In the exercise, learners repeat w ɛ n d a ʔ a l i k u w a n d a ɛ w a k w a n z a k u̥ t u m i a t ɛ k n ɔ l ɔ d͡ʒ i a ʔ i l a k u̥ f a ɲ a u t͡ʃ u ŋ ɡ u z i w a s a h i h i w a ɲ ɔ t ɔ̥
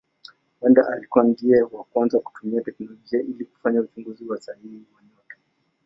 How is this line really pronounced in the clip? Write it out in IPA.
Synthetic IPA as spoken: w ɛ n d a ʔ a l i k u w a n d i ɛ w a k w a n z a k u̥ t u m i a t ɛ k n ɔ l ɔ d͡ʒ i a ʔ i l i k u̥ f a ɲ a u t͡ʃ u ŋ ɡ u z i w a s a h i h i w a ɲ ɔ t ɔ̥